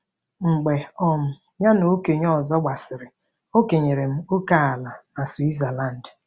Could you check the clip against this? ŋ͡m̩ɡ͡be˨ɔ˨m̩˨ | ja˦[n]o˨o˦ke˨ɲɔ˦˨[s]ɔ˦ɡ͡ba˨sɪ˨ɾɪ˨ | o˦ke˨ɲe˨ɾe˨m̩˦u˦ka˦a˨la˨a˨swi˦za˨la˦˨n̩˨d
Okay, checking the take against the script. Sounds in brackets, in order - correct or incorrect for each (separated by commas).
correct, incorrect